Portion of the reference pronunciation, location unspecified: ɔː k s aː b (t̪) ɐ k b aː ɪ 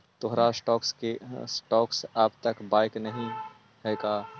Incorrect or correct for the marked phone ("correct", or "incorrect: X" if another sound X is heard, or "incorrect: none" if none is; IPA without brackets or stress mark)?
correct